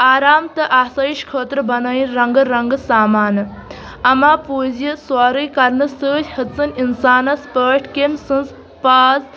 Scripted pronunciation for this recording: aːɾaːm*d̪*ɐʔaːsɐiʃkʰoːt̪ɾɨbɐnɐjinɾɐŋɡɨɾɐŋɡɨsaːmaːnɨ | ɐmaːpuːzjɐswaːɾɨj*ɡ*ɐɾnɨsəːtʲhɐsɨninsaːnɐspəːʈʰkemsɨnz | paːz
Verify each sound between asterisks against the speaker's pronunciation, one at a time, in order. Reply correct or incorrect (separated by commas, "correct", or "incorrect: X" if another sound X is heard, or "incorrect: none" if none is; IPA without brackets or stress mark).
incorrect: t̪, incorrect: k